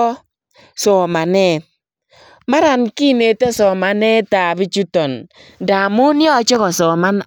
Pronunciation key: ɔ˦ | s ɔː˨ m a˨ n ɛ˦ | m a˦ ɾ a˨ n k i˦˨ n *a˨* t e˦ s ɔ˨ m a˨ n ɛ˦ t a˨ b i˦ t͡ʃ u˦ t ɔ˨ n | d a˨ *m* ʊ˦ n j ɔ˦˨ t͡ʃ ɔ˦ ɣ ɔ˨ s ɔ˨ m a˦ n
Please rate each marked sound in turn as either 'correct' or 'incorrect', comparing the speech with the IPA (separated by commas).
incorrect, correct